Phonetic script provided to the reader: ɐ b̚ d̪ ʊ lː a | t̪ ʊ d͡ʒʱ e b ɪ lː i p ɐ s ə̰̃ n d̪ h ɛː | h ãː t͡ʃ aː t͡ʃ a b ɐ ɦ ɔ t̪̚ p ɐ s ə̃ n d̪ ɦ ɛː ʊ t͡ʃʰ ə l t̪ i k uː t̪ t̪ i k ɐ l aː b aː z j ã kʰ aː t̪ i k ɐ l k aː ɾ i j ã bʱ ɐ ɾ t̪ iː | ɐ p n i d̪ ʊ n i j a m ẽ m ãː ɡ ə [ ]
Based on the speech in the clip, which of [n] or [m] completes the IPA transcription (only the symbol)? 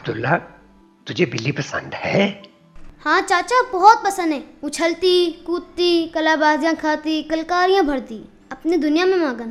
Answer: n